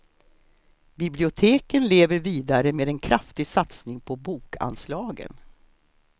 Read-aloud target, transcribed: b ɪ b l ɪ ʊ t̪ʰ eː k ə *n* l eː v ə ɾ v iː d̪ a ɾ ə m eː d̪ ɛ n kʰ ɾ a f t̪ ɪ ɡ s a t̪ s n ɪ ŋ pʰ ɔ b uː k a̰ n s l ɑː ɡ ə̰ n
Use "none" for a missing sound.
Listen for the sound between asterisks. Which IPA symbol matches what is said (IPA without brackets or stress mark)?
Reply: n